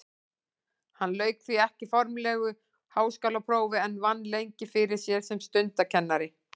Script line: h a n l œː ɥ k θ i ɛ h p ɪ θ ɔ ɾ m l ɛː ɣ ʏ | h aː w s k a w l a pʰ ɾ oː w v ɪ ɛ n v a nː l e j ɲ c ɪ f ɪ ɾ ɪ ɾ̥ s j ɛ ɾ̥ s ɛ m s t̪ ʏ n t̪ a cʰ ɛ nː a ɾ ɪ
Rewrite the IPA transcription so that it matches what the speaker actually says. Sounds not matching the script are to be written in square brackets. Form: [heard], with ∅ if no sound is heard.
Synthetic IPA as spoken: h a n l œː ɥ k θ i ɛ h [c] ɪ [f] ɔ ɾ m l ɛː ɣ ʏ | h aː w s k a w l a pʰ ɾ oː w v ɪ ɛ n v a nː l e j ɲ c ɪ f ɪ ɾ ɪ ɾ̥ s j ɛ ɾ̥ s ɛ m s t̪ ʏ n t̪ a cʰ ɛ nː a ɾ ɪ